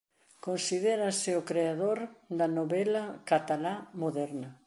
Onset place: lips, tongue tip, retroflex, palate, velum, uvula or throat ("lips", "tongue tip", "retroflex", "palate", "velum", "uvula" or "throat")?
velum